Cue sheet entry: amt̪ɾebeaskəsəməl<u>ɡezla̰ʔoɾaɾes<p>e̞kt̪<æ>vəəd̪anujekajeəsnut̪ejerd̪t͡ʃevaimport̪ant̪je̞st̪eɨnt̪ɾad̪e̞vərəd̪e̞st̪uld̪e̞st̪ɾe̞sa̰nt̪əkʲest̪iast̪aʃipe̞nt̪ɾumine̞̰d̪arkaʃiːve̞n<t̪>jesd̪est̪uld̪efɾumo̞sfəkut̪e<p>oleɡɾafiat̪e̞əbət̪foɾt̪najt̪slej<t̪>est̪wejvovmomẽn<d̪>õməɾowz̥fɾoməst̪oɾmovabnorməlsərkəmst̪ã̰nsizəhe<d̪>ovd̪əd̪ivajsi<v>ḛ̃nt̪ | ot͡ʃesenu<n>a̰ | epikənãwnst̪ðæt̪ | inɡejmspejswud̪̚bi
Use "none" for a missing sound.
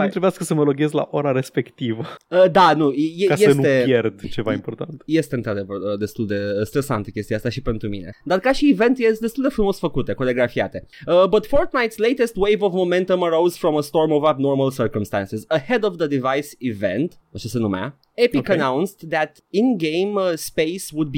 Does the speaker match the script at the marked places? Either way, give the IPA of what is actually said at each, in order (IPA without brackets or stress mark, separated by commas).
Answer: o, p, i, t̪, k, t̪, t̪, d̪, v, m